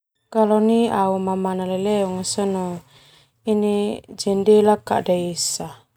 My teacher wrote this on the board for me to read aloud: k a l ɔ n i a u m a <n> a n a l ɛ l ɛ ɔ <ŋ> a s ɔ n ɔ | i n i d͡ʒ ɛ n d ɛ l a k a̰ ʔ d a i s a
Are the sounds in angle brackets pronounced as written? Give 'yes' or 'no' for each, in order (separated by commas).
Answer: no, yes